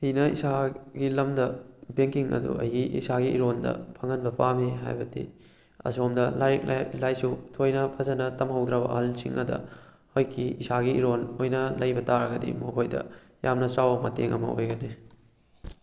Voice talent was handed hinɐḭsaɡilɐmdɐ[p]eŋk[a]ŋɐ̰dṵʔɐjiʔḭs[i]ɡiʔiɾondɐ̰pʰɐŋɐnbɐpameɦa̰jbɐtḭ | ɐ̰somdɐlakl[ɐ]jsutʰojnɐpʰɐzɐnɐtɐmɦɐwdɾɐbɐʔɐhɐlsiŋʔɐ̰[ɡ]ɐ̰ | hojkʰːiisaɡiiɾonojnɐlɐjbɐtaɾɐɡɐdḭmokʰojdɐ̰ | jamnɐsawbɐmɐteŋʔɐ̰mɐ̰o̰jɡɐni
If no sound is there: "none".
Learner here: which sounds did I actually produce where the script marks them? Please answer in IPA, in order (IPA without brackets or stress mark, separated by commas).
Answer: b, i, a, a, d